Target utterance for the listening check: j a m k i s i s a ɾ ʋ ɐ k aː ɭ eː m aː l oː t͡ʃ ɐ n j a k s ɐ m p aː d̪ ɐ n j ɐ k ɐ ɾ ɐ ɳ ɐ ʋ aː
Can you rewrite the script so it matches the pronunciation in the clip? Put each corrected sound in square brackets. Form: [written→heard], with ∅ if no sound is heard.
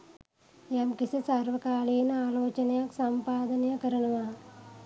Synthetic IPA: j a m k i s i s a ɾ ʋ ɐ k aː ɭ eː [m→n] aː l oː t͡ʃ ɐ n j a k s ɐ m p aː d̪ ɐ n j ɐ k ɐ ɾ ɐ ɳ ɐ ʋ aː